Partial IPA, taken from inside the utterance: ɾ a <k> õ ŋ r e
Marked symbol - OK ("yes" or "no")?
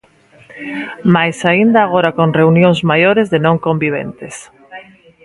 yes